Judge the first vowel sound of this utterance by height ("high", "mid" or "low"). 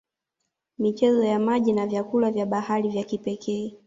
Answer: high